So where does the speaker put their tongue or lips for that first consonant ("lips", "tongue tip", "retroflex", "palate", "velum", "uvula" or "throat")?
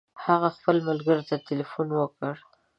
throat